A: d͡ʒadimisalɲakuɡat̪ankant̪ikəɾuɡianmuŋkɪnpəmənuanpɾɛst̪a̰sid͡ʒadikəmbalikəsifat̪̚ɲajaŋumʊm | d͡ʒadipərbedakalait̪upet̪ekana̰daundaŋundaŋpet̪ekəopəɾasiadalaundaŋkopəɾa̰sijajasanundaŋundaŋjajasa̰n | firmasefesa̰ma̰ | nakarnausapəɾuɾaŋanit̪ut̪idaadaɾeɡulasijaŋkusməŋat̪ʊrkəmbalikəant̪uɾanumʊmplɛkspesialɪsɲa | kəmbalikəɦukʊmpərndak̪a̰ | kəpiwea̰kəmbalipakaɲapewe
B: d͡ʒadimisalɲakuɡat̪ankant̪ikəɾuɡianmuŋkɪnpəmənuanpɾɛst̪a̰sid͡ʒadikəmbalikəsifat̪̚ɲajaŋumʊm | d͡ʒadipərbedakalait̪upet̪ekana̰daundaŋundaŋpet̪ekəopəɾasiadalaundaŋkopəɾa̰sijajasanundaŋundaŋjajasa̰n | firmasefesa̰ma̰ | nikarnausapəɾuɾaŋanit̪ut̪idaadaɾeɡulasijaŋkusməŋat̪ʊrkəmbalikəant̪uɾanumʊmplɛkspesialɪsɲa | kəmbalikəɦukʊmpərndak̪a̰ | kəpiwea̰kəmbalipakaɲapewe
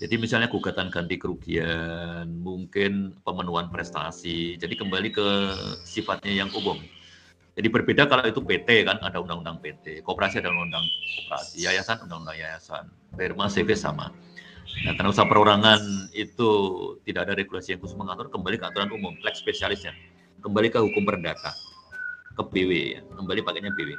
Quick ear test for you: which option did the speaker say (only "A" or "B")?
A